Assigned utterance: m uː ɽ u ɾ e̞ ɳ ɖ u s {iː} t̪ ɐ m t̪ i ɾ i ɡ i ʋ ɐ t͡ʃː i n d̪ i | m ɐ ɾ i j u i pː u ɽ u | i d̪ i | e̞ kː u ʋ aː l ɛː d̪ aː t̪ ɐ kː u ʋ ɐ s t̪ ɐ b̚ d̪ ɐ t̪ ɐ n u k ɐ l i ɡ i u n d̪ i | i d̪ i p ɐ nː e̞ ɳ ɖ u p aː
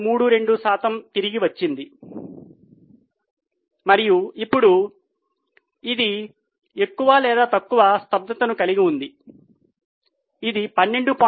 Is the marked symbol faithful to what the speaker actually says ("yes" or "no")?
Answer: no